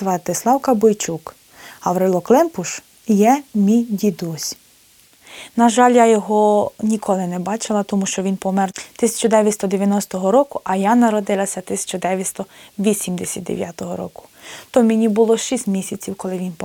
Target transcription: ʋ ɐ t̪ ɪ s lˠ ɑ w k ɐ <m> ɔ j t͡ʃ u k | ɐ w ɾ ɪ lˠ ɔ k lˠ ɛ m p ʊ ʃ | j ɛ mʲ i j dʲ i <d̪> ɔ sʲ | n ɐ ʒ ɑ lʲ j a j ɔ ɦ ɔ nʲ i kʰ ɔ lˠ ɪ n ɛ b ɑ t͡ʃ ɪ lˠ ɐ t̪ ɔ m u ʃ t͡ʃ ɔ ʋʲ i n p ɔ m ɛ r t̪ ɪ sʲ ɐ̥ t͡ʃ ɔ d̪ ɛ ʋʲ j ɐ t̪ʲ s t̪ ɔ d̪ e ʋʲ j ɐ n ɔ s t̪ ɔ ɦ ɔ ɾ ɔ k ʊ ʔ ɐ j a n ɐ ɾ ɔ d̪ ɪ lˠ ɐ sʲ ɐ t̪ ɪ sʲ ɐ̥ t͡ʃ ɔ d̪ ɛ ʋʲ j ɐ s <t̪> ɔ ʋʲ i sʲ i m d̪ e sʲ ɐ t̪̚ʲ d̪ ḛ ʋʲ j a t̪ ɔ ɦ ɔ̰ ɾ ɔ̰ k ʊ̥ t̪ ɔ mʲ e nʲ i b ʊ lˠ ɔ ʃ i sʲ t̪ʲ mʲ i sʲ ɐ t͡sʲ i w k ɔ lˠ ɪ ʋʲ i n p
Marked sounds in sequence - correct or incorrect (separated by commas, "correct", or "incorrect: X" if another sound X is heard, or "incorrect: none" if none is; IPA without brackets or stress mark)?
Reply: incorrect: b, correct, correct